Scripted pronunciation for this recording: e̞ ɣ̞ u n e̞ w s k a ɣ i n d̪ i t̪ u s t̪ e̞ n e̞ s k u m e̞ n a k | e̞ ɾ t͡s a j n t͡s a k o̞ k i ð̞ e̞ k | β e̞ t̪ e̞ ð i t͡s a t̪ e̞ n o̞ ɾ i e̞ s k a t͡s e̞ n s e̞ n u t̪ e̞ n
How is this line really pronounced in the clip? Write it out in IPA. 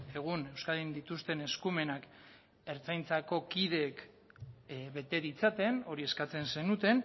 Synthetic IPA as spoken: e̞ ɣ̞ u n e̞ w s k a ð i n d̪ i t̪ u s t̪ e̞ n e̞ s k u m e̞ n a k | e̞ ɾ t͡s a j n t͡s a k o̞ k i ð̞ e̞ k | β e̞ t̪ e̞ ð i t͡s a t̪ e̞ n o̞ ɾ i e̞ s k a t͡s e̞ n s e̞ n u t̪ e̞ n